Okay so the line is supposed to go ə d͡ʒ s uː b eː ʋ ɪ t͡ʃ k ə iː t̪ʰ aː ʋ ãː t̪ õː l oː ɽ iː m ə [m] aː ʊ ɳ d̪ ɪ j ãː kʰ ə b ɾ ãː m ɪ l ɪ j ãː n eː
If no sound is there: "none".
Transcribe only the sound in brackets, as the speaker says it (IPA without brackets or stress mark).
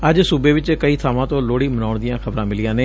n